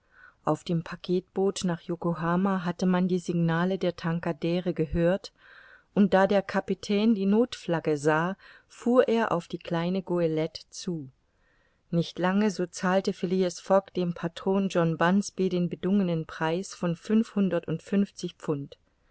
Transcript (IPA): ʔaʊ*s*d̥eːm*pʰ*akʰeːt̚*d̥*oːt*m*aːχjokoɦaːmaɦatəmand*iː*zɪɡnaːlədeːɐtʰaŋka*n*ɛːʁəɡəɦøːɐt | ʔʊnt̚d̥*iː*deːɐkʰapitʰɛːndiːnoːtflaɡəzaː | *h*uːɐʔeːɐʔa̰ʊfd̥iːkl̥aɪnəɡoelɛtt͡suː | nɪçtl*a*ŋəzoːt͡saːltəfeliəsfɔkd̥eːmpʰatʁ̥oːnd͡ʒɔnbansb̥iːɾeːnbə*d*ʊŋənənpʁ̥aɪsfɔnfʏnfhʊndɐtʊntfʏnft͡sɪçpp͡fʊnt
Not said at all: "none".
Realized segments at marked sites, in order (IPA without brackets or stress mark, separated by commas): f, pʰ, b̥, n, iː, d, aː, f, a, d